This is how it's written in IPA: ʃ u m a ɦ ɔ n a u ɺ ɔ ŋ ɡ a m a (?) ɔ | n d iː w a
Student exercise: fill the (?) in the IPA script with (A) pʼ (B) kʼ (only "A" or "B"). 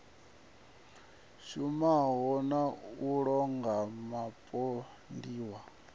A